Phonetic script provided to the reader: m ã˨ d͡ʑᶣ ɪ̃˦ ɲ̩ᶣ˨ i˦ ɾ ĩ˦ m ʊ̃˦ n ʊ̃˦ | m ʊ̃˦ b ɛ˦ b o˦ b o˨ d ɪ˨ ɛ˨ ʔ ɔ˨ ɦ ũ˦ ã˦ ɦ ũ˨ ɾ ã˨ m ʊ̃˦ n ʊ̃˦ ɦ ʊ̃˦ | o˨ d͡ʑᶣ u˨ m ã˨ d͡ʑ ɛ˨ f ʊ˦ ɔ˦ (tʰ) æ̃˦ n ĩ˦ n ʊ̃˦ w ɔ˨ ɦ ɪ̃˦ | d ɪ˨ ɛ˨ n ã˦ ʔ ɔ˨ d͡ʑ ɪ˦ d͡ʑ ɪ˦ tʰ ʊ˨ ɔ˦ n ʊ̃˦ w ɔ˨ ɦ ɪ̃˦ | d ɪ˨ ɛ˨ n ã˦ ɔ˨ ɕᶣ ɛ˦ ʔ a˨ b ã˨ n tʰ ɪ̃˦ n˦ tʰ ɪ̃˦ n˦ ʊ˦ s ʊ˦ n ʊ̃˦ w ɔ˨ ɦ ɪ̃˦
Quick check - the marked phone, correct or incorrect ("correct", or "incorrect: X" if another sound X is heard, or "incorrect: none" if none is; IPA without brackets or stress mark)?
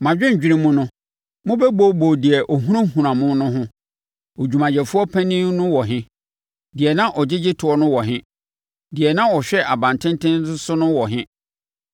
incorrect: pʰ